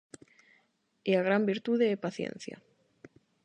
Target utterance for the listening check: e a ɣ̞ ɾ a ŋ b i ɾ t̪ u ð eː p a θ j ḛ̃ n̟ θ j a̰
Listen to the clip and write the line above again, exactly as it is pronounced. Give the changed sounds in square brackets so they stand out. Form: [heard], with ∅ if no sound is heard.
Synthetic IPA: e a ɣ̞ ɾ a [m] b i ɾ t̪ u ð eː p a θ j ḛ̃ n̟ θ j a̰